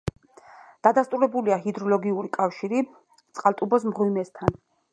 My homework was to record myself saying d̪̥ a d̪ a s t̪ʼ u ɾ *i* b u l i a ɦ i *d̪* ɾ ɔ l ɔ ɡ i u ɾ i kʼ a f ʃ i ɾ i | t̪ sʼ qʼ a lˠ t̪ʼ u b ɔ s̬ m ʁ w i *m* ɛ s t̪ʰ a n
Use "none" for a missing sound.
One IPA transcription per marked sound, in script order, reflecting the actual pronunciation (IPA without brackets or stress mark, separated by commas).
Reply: ɛ, d̪, m